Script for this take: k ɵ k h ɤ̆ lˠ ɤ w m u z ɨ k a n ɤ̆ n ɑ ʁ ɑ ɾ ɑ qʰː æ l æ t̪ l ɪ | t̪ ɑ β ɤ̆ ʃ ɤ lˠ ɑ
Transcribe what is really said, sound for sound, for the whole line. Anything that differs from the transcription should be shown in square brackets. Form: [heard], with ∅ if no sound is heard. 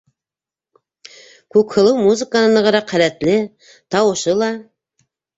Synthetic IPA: k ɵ k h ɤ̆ lˠ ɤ w m u z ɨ k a n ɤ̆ n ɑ ʁ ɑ ɾ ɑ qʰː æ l æ t̪ l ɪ | t̪ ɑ [w] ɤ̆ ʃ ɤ lˠ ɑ